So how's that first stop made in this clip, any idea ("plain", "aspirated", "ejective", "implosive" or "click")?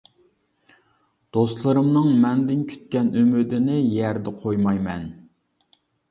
plain